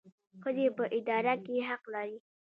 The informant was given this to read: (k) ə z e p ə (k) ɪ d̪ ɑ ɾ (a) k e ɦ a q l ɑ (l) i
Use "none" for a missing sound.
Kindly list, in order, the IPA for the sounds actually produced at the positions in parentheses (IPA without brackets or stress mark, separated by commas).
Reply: x, ʔ, a, ɾ